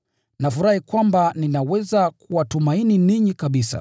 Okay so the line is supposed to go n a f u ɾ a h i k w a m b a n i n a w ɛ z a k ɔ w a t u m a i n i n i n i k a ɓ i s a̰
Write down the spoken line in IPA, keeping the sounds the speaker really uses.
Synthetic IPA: n a f u ɾ a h i k w a m b a n i n a w ɛ z a k u w a t u m a i n i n i ɲ i k a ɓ i s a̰